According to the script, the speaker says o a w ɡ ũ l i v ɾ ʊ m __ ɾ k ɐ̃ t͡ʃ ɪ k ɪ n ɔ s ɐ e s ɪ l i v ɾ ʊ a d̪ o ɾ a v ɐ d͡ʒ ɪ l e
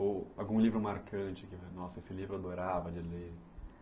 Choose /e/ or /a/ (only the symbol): a